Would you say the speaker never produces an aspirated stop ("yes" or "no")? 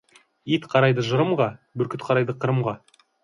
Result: no